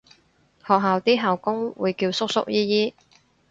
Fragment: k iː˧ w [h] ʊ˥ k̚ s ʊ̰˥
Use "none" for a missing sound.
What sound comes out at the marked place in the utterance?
s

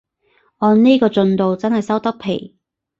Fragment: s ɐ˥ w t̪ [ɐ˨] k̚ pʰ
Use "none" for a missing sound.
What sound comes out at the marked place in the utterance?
ɐ˥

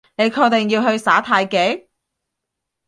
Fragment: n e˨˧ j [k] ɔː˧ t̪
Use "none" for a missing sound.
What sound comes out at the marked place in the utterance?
kʰ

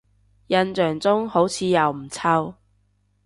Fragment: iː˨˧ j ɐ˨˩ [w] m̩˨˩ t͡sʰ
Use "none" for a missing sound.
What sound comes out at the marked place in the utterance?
w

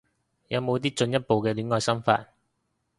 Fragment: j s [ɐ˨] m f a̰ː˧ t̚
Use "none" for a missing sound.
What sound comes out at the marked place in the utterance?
ɐ˥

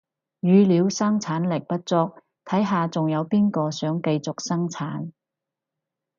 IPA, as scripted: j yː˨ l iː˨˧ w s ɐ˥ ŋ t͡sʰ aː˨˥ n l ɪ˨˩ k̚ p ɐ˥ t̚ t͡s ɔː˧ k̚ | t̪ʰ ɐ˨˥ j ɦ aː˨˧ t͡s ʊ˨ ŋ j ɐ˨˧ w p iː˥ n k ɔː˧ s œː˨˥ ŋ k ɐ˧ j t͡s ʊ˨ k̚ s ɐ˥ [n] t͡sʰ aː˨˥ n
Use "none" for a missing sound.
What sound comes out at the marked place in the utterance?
ŋ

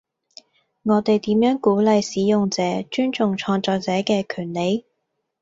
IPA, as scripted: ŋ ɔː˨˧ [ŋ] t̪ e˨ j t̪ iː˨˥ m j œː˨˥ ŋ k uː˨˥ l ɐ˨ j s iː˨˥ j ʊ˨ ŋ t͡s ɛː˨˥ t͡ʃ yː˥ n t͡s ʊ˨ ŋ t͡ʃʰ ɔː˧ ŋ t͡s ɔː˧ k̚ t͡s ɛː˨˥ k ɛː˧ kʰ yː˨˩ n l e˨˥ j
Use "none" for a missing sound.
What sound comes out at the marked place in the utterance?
none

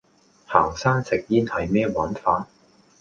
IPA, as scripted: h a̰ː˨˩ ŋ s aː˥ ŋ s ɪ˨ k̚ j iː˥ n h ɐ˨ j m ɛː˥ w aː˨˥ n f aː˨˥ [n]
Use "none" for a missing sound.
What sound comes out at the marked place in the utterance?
n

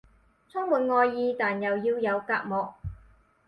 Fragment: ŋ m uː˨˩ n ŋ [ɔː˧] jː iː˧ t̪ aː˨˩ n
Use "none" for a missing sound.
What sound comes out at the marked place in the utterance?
ɔː˧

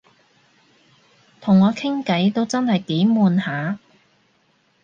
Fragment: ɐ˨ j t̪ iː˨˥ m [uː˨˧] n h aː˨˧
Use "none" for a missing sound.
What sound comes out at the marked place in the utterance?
uː˨˧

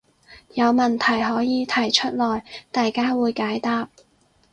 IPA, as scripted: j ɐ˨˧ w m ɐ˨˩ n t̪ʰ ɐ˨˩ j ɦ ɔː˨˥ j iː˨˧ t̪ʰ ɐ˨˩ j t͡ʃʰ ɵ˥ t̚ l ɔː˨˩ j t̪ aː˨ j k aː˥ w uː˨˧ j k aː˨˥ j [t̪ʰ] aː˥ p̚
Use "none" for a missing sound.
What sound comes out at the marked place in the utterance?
t̪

